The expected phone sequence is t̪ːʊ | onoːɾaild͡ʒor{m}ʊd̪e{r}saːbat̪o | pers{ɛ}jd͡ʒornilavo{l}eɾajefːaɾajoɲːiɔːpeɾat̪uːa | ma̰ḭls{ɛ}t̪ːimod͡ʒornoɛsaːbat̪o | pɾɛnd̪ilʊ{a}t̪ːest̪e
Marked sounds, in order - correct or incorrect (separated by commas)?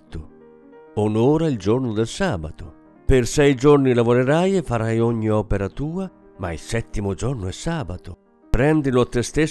incorrect, incorrect, correct, incorrect, correct, correct